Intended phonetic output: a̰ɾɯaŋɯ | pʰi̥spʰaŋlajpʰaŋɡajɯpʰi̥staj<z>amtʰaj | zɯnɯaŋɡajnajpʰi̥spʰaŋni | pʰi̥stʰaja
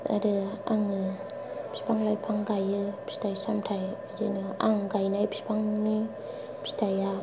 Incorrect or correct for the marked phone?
incorrect: s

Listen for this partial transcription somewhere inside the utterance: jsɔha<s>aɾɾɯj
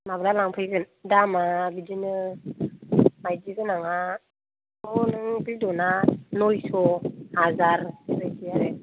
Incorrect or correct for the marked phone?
incorrect: z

